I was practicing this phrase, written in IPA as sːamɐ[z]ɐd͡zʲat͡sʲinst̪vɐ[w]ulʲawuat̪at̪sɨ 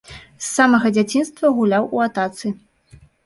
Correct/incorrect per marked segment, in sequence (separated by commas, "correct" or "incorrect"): incorrect, incorrect